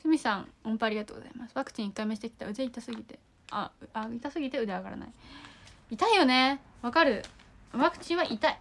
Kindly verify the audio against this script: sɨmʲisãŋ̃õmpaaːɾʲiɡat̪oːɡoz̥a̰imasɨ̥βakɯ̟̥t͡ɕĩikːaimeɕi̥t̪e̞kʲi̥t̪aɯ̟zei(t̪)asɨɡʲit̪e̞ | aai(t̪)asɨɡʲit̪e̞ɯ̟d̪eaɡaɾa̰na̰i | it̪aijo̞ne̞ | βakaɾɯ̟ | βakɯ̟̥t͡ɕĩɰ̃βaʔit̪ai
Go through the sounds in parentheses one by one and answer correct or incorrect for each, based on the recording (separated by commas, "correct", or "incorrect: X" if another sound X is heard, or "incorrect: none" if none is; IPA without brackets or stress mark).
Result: correct, correct